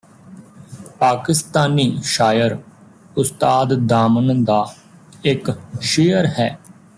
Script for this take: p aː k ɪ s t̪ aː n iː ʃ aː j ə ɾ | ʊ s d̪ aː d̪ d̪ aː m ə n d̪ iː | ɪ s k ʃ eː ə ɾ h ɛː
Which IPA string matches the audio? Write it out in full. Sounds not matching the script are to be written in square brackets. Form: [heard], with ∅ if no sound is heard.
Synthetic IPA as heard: p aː k ɪ s t̪ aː n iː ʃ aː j ə ɾ | ʊ s [t̪] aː d̪ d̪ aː m ə n d̪ [aː] | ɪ [∅] k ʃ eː ə ɾ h ɛː